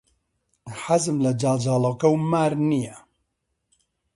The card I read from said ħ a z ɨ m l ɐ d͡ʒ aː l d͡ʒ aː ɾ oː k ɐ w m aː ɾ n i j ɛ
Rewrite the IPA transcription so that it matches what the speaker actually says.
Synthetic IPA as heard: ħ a z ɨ m l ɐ d͡ʒ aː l d͡ʒ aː l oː k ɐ w m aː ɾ n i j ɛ